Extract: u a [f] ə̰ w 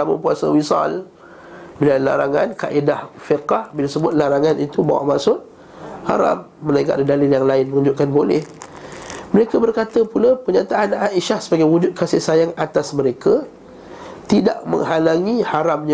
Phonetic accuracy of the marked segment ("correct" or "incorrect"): incorrect